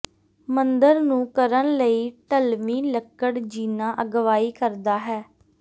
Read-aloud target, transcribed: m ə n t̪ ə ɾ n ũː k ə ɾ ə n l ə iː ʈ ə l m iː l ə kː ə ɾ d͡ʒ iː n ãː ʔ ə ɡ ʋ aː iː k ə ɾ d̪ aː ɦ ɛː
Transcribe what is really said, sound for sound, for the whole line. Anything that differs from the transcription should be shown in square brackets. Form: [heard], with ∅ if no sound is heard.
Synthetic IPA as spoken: m ə n [d̪] ə ɾ n ũː k ə ɾ ə n l ə iː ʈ ə l m iː l ə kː ə [ɽ] d͡ʒ iː n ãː ʔ ə ɡ ʋ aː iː k ə ɾ d̪ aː ɦ ɛː